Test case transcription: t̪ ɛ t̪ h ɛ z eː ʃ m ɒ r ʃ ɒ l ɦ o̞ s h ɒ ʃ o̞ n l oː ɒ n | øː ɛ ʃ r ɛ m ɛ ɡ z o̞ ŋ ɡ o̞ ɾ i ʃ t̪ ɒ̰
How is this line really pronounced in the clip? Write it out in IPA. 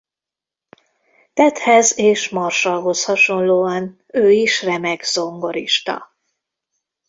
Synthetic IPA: t̪ ɛ t̪ h ɛ z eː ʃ m ɒ r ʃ ɒ l ɦ o̞ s h ɒ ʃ o̞ n l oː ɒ n | øː i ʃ r ɛ m ɛ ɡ z o̞ ŋ ɡ o̞ ɾ i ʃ t̪ ɒ̰